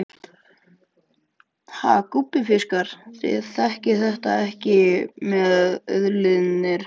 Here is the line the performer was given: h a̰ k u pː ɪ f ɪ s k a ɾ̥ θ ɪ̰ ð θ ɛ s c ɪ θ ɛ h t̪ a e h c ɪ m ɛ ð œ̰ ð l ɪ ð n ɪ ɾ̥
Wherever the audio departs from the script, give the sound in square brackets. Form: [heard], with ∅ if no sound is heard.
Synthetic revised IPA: h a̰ k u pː ɪ f ɪ s k a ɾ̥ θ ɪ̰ ð θ ɛ [h] c ɪ θ ɛ h t̪ a [ɛ] h c ɪ m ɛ ð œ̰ ð l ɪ ð n ɪ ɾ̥